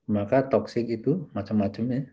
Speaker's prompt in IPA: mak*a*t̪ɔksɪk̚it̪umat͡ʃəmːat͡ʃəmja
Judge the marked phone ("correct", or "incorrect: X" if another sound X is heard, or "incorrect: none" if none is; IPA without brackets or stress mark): correct